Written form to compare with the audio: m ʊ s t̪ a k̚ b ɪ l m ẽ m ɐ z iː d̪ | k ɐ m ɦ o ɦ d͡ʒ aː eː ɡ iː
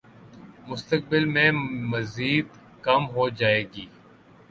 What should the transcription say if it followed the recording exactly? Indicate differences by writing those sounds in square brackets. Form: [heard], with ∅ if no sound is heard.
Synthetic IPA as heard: m ʊ s t̪ [ə] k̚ b ɪ l m ẽ m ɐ z iː d̪ | k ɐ m ɦ o [∅] d͡ʒ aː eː ɡ iː